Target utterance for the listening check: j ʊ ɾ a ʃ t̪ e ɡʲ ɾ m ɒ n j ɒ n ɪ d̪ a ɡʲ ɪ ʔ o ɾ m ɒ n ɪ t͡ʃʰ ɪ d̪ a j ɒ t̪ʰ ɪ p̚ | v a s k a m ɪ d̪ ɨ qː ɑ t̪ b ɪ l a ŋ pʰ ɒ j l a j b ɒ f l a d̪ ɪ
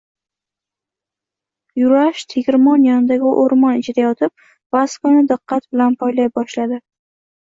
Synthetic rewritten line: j ʊ ɾ a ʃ t̪ʰ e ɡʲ ɾ m ɒ n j ɒ n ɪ d̪ a ɡʲ ɪ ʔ o ɾ m ɒ n ɪ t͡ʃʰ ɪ d̪ a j ɒ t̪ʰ ɪ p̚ | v a s k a n ɪ d̪ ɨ qː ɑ t̪ b ɪ l a n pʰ ɒ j l a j b ɒ ʃ l a d̪ ɪ